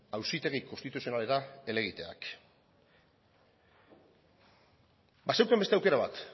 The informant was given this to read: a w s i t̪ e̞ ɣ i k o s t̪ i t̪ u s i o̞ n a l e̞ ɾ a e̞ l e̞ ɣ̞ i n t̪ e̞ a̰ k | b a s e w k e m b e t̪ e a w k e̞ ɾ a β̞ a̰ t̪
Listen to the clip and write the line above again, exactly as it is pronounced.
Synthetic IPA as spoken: a w s i t̪ e̞ ɣ i k o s t̪ i t̪ u s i o̞ n a l e̞ ɾ a e̞ l e̞ ɣ̞ i t̪ e̞ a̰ k | b a s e w k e m b e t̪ e a w k e̞ ɾ a β̞ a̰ t̪